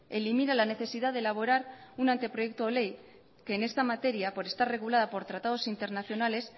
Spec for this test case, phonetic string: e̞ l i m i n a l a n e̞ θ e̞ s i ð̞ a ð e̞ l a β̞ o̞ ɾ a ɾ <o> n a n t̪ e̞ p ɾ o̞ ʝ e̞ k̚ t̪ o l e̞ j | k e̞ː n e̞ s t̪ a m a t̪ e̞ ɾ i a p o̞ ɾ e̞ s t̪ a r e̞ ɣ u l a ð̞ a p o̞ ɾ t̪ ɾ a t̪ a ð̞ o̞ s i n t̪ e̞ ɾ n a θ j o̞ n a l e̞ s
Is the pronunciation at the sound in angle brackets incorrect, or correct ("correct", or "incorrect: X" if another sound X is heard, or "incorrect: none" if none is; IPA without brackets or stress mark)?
incorrect: u